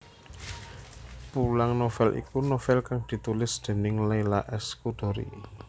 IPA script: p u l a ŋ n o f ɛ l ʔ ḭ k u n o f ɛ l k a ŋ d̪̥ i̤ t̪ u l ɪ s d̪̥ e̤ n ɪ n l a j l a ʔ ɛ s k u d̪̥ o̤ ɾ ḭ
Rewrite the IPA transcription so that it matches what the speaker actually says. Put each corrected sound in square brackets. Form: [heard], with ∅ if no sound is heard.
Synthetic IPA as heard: p u l a ŋ n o f ɛ l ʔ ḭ k u n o f ɛ l k a ŋ d̪̥ i̤ t̪ u l ɪ s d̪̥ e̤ n ɪ [ŋ] l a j l a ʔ ɛ s k u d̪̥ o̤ ɾ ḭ